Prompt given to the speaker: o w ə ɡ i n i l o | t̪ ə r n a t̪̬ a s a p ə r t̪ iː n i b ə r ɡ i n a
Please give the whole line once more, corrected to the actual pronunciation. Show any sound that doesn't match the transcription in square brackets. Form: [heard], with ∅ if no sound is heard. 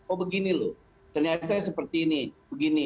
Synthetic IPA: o [b] ə ɡ i n i l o | t̪ ə r [ɲ] a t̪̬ a s [ə] p ə r t̪ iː n i b ə [∅] ɡ i n [i]